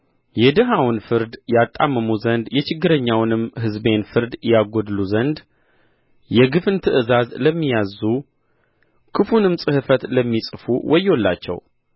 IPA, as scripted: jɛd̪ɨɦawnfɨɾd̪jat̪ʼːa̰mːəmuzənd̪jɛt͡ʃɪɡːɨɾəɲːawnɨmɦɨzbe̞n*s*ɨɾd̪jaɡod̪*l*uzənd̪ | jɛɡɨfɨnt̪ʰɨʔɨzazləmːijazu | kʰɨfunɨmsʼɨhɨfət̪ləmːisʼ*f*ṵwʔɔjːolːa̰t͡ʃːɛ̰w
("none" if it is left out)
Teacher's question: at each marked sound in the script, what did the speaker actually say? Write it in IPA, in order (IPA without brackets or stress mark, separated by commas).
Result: f, l, f